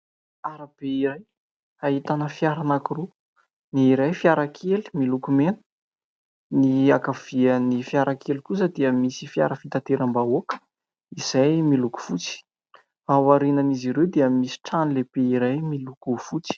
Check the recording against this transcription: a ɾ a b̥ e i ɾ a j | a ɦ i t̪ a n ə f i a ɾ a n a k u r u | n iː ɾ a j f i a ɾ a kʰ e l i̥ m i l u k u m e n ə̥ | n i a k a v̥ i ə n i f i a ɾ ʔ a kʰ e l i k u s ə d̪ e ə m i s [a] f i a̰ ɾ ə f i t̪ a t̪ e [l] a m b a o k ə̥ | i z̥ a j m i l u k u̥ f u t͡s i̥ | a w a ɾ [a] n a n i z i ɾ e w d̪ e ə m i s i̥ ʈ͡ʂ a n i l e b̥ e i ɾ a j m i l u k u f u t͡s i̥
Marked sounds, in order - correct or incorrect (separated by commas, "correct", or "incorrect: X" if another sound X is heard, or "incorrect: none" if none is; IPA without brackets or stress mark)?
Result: incorrect: i, incorrect: ɾ, incorrect: i